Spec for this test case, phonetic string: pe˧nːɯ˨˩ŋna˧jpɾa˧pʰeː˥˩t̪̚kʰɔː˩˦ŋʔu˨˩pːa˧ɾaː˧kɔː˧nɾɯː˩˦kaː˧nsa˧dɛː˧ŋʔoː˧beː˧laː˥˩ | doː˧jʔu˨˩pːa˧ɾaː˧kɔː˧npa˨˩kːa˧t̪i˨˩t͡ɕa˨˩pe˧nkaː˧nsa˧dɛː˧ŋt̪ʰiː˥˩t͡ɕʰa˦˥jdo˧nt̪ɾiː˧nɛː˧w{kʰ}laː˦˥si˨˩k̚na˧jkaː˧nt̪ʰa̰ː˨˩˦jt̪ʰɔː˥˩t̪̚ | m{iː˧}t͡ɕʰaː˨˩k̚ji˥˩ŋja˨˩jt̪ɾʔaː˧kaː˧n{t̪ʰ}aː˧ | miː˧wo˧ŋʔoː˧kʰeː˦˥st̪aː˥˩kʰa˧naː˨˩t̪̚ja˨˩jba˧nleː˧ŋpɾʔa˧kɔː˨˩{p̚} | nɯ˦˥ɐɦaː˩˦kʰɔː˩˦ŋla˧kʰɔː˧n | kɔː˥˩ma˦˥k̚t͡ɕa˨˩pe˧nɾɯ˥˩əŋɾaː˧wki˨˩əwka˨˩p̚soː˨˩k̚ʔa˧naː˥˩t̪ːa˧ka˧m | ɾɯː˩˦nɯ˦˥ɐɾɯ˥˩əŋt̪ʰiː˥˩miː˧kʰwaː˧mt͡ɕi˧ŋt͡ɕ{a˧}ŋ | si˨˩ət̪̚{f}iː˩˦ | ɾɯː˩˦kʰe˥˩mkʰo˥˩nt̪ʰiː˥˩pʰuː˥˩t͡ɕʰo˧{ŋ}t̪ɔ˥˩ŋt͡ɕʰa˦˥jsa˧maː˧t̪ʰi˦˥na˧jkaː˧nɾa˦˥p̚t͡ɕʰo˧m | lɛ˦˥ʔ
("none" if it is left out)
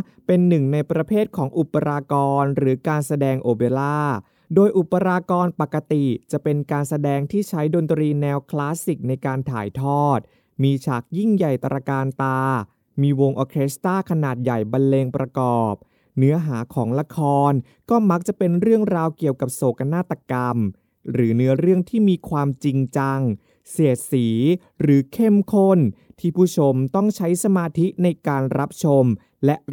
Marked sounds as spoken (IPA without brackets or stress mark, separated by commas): kʰ, iː˧, t̪, p̚, a˧, s, m